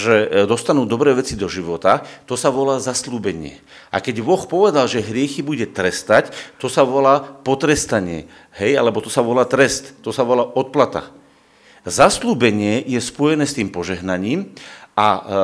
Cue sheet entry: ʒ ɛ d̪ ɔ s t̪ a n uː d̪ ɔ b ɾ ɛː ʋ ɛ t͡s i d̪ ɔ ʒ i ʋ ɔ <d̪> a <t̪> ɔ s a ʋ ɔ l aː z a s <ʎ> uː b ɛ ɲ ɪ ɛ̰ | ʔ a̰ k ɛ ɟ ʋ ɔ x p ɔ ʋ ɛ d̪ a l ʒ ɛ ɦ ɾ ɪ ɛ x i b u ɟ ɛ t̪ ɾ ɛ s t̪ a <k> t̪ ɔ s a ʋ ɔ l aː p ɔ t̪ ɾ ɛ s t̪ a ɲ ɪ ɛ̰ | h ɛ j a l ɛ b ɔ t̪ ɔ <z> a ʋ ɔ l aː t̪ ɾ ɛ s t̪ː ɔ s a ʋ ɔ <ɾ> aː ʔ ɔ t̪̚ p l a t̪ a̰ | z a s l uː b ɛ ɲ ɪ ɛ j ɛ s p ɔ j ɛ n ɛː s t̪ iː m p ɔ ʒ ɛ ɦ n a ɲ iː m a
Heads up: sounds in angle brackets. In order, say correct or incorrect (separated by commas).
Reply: incorrect, correct, incorrect, incorrect, incorrect, incorrect